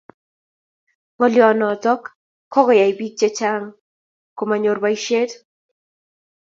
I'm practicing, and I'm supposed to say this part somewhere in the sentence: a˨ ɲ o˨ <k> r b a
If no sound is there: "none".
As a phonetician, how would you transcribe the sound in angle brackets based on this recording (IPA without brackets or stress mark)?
none